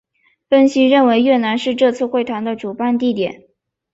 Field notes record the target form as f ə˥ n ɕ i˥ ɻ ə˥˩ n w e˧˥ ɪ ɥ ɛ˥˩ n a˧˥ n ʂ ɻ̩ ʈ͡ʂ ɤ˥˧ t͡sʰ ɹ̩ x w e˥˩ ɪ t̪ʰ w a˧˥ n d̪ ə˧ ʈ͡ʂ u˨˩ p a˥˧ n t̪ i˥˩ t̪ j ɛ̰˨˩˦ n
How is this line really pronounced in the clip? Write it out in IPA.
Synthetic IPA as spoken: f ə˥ n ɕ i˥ ɻ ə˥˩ n w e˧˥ ɪ ɥ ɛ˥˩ n a˧˥ n ʂ ɻ̩ ʈ͡ʂ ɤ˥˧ t͡sʰ ɹ̩ x w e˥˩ ɪ t̪ʰ w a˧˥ n d̪ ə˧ ʈ͡ʂ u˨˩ p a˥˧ n t̪ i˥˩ t̪ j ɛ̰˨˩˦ n

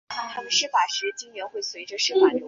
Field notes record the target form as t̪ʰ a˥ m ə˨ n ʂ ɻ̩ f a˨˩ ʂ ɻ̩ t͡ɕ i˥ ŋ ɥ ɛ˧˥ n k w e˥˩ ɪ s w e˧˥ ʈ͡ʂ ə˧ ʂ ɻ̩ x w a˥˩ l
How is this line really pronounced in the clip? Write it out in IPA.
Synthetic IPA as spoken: t̪ʰ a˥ m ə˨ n ʂ ɻ̩ f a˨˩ ʂ ɻ̩ t͡ɕ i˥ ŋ ɥ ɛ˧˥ n x w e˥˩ ɪ s w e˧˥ ʈ͡ʂ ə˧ ʂ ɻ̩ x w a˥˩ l

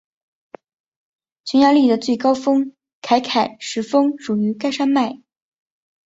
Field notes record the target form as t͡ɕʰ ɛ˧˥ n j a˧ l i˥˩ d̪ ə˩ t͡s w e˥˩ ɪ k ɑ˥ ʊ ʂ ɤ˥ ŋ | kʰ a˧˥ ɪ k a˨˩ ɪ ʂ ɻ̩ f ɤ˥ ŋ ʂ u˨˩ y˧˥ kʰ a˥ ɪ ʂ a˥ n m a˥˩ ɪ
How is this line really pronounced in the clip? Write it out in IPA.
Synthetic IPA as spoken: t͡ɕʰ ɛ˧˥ n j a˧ l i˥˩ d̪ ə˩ t͡s w e˥˩ ɪ k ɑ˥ ʊ f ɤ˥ ŋ | kʰ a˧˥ ɪ kʰ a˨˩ ɪ ʂ ɻ̩ f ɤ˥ ŋ ʂ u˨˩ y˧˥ k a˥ ɪ ʂ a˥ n m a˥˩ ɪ

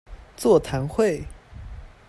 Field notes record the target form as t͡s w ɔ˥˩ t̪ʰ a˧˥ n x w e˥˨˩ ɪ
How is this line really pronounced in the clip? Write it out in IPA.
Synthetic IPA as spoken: t͡s w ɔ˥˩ t̪ʰ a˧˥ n x w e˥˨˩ ɪ

